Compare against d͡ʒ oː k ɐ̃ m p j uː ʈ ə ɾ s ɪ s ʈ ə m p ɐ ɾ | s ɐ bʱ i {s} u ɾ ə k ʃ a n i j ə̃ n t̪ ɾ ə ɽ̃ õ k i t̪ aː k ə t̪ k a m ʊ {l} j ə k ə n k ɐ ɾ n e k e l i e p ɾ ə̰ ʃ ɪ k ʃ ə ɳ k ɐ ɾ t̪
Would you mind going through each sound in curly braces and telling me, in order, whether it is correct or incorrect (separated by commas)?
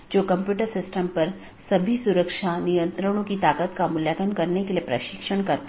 correct, correct